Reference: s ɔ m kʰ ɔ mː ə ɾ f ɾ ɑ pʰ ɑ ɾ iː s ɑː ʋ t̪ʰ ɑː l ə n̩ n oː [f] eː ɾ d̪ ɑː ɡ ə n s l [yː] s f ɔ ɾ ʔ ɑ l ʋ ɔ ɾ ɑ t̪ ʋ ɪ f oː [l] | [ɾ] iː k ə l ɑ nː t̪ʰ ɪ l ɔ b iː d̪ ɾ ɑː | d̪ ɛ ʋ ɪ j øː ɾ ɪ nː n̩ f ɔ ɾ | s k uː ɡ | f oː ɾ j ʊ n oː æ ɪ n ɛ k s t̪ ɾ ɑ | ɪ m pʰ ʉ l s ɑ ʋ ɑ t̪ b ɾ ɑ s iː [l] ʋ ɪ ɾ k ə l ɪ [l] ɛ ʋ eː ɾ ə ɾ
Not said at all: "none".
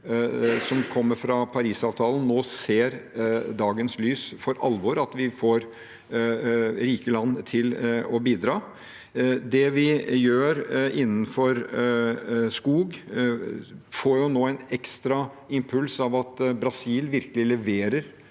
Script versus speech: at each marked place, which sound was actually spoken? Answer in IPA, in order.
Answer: s, yː, ɾ, ɾ, l, l

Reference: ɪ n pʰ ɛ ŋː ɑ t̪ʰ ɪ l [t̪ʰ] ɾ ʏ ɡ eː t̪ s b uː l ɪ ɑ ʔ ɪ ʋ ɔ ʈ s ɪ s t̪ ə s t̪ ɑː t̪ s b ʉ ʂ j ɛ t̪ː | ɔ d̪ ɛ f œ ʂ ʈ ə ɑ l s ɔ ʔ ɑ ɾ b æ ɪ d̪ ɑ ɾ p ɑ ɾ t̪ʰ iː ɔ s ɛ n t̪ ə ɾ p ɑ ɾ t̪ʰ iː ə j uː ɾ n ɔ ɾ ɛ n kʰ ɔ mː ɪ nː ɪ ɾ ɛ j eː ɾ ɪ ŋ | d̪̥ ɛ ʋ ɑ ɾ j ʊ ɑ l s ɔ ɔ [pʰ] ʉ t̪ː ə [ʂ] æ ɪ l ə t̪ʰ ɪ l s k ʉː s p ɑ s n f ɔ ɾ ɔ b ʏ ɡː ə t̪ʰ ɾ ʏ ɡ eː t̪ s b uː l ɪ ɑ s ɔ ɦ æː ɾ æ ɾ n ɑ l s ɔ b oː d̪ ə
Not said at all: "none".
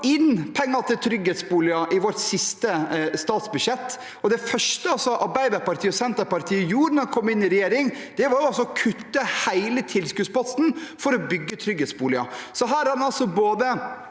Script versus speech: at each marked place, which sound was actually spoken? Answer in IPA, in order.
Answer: t̪ʰ, kʰ, h

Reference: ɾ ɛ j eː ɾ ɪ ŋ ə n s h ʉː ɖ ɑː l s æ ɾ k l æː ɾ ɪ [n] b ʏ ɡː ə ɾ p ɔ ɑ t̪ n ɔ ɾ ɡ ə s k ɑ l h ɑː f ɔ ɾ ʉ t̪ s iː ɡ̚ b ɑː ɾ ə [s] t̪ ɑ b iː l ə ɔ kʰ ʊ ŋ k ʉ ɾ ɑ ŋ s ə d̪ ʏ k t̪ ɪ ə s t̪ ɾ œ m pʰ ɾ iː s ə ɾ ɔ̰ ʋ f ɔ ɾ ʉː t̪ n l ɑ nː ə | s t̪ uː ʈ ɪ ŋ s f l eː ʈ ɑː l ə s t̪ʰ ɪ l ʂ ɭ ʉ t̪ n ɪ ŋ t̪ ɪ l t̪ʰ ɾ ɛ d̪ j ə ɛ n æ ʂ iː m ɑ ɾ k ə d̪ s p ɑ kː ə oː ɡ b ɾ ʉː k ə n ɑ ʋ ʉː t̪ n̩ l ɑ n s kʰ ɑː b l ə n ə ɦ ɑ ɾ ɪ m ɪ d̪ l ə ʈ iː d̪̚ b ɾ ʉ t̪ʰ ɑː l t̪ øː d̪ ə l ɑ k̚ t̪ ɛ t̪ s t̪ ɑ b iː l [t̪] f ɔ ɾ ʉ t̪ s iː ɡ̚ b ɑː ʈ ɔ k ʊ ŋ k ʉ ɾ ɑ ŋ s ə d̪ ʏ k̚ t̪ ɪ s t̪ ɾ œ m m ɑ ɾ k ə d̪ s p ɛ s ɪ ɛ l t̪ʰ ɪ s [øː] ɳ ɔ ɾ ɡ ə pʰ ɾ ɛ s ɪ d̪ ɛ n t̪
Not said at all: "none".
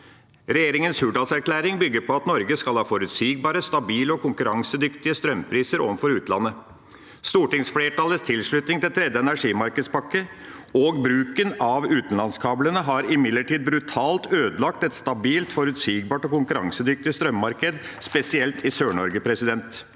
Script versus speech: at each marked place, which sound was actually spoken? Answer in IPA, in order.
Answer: ŋ, s, t̪, øː

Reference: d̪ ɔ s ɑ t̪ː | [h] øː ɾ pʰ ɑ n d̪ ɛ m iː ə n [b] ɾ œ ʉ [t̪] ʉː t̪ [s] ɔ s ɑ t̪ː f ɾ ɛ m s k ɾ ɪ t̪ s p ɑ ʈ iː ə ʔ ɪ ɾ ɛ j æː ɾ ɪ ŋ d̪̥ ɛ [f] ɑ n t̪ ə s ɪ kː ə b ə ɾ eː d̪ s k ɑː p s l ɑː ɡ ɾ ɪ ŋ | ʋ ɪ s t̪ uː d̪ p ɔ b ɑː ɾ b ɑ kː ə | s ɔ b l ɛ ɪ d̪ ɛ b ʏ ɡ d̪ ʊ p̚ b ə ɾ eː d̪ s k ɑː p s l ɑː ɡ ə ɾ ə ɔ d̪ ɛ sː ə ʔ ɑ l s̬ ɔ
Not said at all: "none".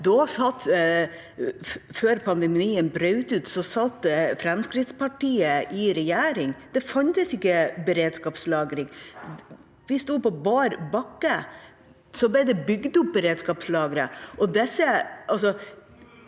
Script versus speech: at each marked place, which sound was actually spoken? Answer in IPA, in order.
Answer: f, b, t̪, s, f

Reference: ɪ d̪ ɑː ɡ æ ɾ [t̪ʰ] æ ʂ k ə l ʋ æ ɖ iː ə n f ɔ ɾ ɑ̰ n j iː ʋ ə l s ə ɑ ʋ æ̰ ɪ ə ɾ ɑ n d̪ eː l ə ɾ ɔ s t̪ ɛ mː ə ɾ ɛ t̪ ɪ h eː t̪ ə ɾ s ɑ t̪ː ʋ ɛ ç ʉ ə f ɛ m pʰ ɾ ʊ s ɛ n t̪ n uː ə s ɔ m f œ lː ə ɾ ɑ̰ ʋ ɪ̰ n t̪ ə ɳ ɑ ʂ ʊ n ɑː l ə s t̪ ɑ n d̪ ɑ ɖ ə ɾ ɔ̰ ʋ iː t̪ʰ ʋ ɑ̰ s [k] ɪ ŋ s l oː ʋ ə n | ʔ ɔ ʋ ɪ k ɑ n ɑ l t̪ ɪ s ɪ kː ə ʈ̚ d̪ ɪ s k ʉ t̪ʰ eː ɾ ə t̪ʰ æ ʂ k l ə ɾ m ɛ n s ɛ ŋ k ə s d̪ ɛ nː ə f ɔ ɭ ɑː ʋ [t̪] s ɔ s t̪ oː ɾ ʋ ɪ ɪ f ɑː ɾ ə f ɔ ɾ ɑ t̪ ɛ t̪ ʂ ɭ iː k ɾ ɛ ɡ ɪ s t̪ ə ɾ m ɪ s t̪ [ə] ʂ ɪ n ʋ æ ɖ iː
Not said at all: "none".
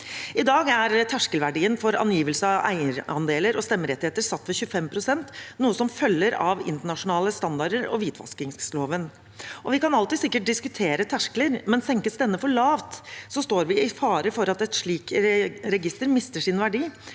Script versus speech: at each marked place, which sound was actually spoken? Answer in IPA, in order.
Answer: t̪ʰ, k, t̪, ə

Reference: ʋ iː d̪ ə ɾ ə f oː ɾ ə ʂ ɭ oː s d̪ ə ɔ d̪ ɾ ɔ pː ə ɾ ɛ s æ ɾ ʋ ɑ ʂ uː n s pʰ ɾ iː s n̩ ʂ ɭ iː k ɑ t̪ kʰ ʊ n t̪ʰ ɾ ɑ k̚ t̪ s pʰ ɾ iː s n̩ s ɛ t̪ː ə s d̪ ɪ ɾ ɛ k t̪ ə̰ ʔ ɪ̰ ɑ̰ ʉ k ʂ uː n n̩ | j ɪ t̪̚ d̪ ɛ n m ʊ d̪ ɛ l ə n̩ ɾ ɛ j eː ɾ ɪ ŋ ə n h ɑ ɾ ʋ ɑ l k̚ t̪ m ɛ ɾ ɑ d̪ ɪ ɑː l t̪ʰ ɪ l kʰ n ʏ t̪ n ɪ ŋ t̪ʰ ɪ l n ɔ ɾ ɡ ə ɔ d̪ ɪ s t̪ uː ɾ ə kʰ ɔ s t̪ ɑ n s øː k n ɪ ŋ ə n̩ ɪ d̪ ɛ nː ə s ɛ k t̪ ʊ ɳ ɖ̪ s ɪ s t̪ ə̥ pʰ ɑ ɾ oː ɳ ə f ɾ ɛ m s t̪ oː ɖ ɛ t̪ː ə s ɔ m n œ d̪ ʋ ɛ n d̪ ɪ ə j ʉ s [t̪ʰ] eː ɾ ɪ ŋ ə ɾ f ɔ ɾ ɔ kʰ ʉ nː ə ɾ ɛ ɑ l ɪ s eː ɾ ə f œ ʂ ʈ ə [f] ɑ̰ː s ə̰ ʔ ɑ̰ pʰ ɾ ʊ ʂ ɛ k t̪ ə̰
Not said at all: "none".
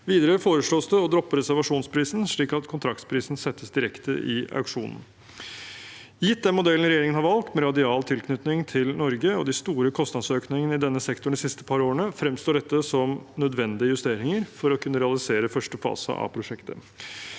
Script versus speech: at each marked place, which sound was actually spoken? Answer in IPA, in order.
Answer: t̪, f

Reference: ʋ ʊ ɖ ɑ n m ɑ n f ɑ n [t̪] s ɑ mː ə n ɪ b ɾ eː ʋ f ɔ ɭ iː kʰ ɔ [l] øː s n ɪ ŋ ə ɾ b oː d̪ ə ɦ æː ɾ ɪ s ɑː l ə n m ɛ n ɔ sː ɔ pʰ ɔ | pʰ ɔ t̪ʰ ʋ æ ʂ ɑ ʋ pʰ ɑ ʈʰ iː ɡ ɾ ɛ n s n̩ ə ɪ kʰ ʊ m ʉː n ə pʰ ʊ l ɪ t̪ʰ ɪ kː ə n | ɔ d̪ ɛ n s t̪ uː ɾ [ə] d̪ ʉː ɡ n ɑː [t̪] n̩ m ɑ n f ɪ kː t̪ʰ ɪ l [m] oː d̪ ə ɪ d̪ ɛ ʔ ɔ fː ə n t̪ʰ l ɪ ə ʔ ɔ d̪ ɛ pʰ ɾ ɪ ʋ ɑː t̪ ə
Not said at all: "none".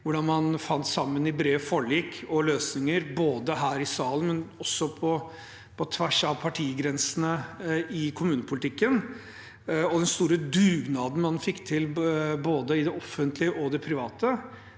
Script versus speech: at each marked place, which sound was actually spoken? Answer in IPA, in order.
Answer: t̪, l, ə, d̪, b

